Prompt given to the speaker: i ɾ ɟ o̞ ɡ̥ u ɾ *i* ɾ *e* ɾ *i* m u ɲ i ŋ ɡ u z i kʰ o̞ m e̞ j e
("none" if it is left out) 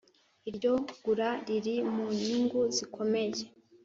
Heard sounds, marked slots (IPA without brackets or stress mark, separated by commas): a, i, i